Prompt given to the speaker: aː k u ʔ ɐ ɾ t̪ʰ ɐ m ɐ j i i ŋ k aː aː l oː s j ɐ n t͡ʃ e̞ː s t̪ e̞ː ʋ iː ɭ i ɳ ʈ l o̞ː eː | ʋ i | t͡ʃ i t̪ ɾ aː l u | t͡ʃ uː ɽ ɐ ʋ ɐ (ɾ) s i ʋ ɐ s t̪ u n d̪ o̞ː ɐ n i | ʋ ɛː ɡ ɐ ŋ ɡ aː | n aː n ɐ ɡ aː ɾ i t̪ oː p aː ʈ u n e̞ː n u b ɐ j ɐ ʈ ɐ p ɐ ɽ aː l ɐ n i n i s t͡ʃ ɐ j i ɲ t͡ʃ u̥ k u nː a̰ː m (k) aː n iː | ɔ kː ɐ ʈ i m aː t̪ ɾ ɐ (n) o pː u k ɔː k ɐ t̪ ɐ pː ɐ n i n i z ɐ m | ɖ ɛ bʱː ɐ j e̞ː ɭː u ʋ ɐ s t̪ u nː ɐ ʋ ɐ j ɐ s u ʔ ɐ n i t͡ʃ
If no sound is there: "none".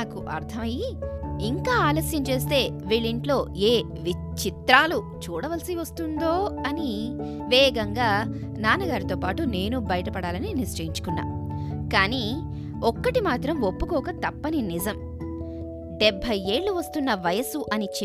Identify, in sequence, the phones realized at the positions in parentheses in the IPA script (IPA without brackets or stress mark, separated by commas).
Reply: l, k, m